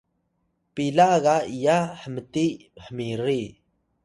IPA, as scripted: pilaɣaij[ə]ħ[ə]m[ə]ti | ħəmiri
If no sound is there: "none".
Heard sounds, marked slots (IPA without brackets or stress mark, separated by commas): a, ə, ə